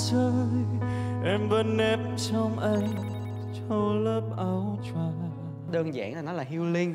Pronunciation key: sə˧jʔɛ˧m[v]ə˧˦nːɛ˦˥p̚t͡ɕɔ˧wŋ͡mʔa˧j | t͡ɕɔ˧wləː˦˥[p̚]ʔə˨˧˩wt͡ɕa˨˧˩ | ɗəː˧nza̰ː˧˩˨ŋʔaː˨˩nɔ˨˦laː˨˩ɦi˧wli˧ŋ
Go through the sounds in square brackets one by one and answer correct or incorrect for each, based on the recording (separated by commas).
correct, correct